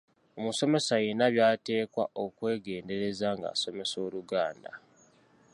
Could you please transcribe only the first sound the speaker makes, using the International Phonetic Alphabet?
o̞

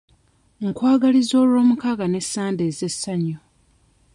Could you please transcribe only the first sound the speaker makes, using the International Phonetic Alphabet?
ŋ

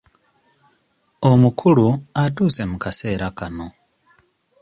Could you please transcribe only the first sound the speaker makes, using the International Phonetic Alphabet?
o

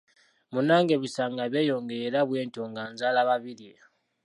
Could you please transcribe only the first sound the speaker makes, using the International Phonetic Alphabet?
m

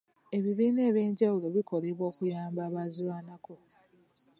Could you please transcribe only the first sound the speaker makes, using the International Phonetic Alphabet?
e̞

